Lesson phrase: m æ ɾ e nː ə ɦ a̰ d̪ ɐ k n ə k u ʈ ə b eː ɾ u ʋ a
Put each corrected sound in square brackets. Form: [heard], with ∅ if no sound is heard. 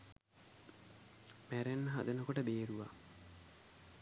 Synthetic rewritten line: m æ ɾ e nː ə ɦ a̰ d̪ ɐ [∅] n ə k [o] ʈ ə b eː ɾ u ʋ a